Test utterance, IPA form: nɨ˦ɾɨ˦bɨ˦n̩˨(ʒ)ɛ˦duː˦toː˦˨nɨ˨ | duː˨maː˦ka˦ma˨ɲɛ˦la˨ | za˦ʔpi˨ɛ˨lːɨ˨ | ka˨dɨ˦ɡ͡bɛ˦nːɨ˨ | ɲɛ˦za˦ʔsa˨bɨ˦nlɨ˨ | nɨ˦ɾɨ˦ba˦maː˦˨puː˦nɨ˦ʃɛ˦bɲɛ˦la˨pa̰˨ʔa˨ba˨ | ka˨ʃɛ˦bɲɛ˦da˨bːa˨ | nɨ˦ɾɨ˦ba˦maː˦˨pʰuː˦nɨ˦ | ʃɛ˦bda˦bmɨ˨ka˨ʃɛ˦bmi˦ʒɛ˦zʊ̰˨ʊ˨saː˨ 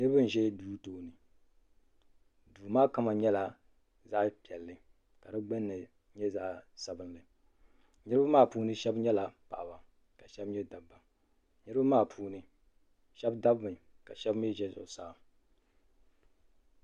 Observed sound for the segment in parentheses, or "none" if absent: ʒ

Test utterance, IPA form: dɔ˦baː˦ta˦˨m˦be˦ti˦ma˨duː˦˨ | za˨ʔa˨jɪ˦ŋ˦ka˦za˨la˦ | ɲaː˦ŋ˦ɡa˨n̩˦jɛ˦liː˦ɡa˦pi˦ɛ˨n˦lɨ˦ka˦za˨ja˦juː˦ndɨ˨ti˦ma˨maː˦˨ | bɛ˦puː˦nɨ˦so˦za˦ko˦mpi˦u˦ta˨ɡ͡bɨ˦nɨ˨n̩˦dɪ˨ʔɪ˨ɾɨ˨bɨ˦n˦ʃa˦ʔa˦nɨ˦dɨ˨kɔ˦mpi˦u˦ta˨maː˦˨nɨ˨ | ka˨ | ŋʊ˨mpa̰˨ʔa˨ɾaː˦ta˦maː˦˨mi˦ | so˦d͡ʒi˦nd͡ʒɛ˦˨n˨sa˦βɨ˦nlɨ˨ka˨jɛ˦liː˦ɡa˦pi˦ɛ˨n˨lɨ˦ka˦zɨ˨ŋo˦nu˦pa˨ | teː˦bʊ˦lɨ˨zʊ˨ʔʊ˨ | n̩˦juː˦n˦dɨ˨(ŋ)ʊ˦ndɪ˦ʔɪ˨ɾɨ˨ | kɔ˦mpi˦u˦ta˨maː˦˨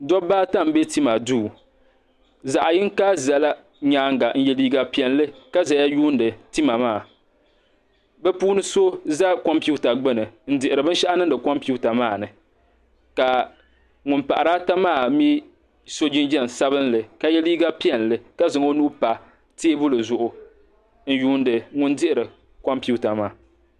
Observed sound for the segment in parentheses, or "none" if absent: ŋ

